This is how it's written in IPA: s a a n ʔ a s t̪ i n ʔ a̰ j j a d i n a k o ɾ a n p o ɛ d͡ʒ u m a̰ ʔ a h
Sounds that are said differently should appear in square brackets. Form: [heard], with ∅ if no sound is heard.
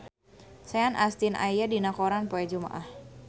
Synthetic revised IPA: s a a n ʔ a s t̪ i n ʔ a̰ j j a d i n a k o ɾ a n p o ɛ d͡ʒ u m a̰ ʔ a h

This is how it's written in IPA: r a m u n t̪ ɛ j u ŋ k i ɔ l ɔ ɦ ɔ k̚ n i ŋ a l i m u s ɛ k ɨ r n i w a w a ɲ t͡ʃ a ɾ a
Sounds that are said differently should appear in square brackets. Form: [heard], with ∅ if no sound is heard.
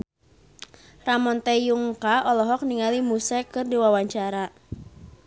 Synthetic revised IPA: r a m [ɔ] n t̪ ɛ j u ŋ k [a] ɔ l ɔ ɦ ɔ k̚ n i ŋ a l i m u s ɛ k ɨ r [d] i w a w a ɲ t͡ʃ a ɾ a

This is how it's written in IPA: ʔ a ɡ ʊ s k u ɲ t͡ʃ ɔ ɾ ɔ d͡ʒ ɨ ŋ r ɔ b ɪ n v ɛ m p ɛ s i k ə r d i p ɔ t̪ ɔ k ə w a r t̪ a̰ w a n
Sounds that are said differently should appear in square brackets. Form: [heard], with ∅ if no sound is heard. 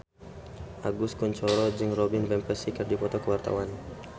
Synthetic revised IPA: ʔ a ɡ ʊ s k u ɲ t͡ʃ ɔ ɾ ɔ d͡ʒ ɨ ŋ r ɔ b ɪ n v ɛ m p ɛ s i k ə r d i p ɔ t̪ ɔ k ə w a r t̪ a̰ w a n

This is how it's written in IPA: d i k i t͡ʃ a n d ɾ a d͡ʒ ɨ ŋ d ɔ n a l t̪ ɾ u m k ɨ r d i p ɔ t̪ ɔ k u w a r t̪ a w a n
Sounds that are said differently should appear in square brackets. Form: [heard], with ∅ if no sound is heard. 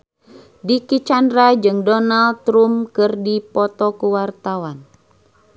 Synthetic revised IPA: d i k i t͡ʃ a n d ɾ a d͡ʒ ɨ ŋ d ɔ n a l t̪ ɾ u m k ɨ r d i p ɔ t̪ ɔ k u w a r t̪ a w a n

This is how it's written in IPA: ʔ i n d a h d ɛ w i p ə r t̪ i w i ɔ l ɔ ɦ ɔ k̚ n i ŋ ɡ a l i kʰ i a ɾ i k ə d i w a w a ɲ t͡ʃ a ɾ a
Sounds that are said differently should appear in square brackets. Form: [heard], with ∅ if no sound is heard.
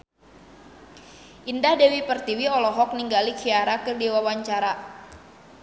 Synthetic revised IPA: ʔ i n d a h d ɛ w i p ə r t̪ i w i ɔ l ɔ ɦ ɔ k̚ n i ŋ ɡ a l i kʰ i a ɾ [a] k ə d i w a w a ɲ t͡ʃ a ɾ a

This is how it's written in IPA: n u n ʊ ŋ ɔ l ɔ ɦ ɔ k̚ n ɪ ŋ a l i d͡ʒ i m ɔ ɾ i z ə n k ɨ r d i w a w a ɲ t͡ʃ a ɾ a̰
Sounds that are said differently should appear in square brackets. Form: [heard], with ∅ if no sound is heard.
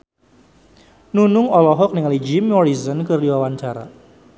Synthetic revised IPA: n u n ʊ ŋ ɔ l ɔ ɦ ɔ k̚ n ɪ ŋ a l i d͡ʒ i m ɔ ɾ i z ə n k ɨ r d i w a w a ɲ t͡ʃ a ɾ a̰

